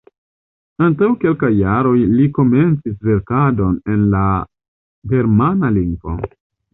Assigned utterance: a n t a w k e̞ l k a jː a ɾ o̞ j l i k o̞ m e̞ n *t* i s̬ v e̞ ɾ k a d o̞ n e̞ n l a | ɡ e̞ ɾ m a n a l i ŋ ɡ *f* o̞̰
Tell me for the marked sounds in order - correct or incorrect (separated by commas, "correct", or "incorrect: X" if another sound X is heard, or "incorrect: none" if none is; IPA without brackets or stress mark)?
incorrect: t͡s, incorrect: v